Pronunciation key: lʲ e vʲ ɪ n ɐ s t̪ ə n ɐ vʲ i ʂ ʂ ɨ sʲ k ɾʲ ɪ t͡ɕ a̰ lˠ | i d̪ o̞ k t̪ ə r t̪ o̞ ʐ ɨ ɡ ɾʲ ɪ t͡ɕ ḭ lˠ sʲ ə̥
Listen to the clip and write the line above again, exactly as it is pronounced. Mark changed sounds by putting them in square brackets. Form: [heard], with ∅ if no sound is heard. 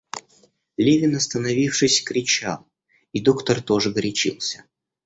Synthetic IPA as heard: lʲ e vʲ ɪ n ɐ s t̪ ə n ɐ vʲ i [f] ʂ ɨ sʲ k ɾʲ ɪ t͡ɕ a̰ lˠ | i d̪ o̞ k t̪ ə r t̪ o̞ ʐ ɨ ɡ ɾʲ ɪ t͡ɕ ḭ lˠ sʲ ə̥